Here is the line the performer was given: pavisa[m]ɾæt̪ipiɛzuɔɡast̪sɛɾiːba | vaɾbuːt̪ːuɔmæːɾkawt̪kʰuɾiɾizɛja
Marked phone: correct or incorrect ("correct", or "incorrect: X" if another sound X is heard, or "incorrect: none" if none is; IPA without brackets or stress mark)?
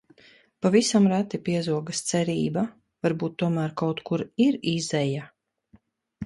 correct